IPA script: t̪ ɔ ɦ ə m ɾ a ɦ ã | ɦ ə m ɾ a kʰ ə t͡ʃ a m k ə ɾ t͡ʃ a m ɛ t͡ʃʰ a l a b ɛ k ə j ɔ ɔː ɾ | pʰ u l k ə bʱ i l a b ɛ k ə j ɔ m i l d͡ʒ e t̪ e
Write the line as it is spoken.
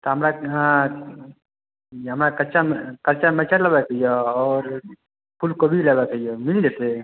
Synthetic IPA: t̪ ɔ ɦ ə m ɾ a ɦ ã | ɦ ə m ɾ a k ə t͡ʃ a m k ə ɾ t͡ʃ a m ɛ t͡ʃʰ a l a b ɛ k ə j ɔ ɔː ɾ | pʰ u l k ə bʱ i l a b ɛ k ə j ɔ m i l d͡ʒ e t̪ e

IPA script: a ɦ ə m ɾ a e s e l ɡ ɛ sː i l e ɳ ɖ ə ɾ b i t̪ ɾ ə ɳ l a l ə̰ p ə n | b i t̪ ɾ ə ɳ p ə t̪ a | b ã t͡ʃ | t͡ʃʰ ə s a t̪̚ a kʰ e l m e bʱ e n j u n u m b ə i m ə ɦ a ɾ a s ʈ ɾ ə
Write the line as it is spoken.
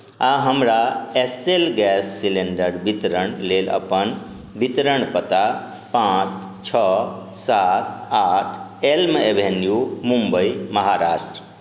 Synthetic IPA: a ɦ ə m ɾ a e s e l ɡ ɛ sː i l e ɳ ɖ ə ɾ b i t̪ ɾ ə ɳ l e l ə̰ p ə n | b i t̪ ɾ ə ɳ p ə t̪ a | p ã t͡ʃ | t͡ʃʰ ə s a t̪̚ a ʈʰ e l m e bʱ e n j u m u m b ə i m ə ɦ a ɾ a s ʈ ɾ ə

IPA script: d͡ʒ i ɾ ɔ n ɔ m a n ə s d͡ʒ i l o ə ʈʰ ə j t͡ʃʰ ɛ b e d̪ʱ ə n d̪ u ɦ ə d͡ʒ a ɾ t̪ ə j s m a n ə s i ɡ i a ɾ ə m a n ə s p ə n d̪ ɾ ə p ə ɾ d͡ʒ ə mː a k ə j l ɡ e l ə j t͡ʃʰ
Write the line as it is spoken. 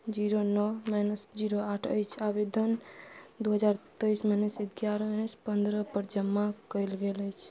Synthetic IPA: d͡ʒ i ɾ o n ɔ m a n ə s d͡ʒ i ɾ o a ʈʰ ə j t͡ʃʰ a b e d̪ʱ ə n d̪ u ɦ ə d͡ʒ a ɾ t̪ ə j s m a n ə s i ɡ j a ɾ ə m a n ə s p ə n d̪ ɾ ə p ə ɾ d͡ʒ ə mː a k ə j l ɡ e l ə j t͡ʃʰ

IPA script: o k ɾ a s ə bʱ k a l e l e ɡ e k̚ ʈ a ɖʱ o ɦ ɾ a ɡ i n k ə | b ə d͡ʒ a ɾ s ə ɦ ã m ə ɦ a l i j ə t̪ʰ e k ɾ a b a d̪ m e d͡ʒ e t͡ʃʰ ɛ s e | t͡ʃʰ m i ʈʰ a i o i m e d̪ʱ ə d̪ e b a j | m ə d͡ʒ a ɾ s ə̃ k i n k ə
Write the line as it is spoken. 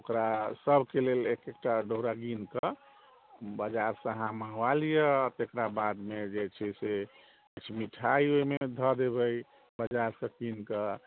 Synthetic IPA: o k ɾ a s ə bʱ k e l e l e k e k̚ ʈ a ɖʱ o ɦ ɾ a ɡ i n k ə | b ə d͡ʒ a ɾ s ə ɦ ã m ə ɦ a l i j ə t̪ e k ɾ a b a d̪ m e d͡ʒ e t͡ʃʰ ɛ s e | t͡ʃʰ m i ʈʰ a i o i m e d̪ʱ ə d̪ e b ə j | b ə d͡ʒ a ɾ s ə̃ k i n k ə

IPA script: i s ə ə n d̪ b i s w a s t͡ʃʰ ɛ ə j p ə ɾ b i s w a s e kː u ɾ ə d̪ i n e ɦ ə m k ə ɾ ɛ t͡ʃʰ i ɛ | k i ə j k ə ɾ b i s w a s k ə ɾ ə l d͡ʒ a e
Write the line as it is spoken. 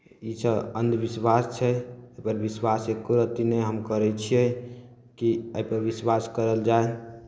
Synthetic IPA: i s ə ə n d̪ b i s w a s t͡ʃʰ ɛ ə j p ə ɾ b i s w a s e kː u ɾ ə t̪ i n e ɦ ə m k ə ɾ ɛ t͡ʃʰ i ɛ | k i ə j p ə ɾ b i s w a s k ə ɾ ə l d͡ʒ a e

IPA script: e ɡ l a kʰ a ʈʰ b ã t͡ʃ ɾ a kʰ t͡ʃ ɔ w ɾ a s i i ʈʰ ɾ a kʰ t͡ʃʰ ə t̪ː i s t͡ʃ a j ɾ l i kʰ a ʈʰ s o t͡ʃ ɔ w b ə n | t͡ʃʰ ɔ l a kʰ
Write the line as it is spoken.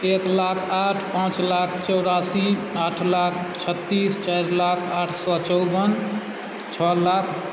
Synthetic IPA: e k l a kʰ a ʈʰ p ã t͡ʃ l a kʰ t͡ʃ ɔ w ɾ a s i a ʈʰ l a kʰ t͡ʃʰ ə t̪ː i s t͡ʃ a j ɾ l a kʰ a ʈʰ s ɔ t͡ʃ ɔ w b ə n | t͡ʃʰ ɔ l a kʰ

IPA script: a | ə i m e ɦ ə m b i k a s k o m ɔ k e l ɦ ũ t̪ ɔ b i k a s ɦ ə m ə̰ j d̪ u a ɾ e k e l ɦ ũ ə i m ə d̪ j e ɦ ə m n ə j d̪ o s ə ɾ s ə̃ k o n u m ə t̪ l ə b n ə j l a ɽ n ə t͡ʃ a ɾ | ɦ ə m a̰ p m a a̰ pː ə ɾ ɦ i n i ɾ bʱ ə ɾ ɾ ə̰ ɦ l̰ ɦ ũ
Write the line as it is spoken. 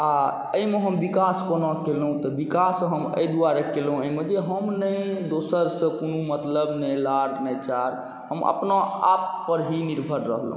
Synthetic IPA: a | ə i m e ɦ ə m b i k a s k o n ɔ k e l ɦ ũ t̪ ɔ b i k a s ɦ ə m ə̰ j d̪ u a ɾ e k e l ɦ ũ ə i m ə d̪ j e ɦ ə m n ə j d̪ o s ə ɾ s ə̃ k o n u m ə t̪ l ə b n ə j l a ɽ n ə t͡ʃ a ɾ | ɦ ə m ə̰ p n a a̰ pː ə ɾ ɦ i n i ɾ bʱ ə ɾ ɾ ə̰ ɦ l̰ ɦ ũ

